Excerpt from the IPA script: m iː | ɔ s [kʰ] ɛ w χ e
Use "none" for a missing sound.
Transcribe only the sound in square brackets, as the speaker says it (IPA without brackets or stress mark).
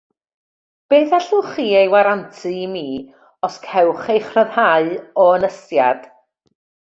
kʰ